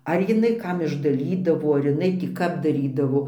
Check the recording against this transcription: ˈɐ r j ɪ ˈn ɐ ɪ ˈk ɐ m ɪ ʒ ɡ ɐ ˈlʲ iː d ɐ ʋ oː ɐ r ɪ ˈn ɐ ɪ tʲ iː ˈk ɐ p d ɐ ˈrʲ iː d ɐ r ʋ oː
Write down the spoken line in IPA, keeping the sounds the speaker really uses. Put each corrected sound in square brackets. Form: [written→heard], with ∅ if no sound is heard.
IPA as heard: ˈɐ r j ɪ ˈn ɐ ɪ ˈk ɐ m ɪ ʒ [ɡ→d] ɐ ˈlʲ iː d ɐ ʋ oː ɐ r ɪ ˈn ɐ ɪ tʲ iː ˈk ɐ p d ɐ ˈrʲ iː d ɐ [r→∅] ʋ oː